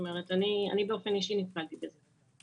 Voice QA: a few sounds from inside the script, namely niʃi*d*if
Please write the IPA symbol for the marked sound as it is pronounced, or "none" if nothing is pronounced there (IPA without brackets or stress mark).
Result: n